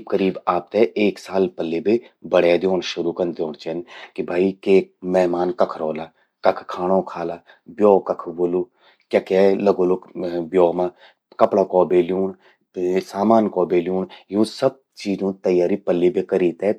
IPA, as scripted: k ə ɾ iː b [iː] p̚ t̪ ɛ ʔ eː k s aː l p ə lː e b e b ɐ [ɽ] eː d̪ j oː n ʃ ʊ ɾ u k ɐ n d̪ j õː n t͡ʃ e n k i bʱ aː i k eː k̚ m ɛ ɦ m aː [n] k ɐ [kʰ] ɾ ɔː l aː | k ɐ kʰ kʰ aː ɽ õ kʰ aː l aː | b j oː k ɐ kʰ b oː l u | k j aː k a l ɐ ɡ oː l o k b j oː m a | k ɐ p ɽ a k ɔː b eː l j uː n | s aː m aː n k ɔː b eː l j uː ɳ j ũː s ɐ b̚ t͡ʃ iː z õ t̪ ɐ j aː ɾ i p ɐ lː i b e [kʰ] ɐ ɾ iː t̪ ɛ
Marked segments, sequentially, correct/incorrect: incorrect: aː, correct, correct, correct, incorrect: k

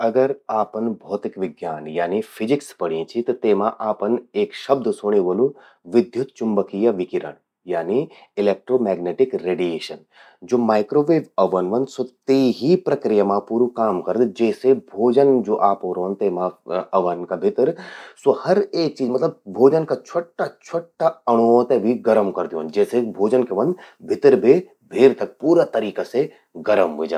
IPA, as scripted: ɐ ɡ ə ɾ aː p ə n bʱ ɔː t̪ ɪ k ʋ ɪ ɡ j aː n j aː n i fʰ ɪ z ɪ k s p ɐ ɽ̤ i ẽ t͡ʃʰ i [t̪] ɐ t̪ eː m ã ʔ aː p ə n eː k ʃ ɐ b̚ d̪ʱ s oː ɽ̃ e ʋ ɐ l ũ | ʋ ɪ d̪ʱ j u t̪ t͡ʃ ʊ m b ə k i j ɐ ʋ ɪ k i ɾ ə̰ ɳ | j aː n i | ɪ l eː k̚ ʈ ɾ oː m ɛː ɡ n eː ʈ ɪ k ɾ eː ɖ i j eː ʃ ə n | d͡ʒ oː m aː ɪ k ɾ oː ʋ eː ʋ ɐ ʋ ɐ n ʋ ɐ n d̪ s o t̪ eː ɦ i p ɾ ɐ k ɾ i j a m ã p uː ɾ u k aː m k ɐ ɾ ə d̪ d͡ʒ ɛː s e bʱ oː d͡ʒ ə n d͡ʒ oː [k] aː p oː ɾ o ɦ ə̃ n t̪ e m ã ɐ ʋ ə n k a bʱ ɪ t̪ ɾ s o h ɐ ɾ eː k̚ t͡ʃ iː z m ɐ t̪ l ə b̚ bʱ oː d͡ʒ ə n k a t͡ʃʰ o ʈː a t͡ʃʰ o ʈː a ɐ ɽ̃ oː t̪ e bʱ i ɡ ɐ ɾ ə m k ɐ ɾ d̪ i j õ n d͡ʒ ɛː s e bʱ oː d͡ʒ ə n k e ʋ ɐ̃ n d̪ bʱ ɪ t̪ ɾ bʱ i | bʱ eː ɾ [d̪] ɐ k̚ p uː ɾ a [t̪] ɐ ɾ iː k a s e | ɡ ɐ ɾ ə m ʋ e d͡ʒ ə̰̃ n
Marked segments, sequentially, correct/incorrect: correct, incorrect: ʔ, incorrect: t̪, correct

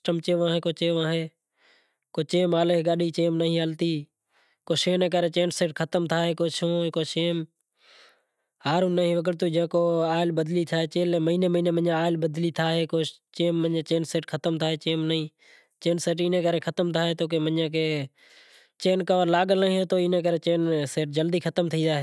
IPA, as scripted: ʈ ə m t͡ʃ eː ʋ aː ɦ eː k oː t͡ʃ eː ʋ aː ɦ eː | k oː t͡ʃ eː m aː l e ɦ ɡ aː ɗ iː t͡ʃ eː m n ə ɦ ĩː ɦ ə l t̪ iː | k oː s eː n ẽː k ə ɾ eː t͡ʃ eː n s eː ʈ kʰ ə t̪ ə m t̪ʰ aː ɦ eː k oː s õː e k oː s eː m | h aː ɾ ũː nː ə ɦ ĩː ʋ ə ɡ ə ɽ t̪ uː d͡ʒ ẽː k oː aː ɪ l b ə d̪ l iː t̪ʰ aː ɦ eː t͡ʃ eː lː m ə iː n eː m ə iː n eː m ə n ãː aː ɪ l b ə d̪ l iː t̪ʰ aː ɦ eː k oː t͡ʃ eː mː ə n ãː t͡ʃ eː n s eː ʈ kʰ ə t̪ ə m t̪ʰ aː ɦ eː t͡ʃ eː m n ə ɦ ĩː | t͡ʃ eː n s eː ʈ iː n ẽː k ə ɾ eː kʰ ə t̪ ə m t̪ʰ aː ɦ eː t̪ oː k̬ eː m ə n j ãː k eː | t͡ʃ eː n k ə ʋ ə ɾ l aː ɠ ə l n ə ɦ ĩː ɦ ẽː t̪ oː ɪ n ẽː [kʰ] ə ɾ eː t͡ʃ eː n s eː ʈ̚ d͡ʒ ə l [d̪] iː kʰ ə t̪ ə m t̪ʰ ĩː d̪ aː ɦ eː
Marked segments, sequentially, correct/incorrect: incorrect: k, correct

